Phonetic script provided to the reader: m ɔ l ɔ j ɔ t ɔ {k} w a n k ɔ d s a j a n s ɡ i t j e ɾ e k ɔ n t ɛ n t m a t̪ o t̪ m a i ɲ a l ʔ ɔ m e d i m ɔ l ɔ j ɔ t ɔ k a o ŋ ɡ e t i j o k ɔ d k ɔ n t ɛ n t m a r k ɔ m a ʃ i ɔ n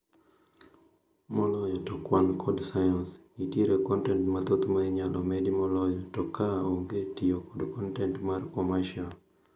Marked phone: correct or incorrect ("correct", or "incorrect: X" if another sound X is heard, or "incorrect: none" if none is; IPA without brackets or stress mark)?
correct